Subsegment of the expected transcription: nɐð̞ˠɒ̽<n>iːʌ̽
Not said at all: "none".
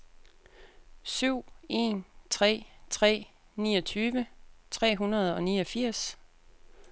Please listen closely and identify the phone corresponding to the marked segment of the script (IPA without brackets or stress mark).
n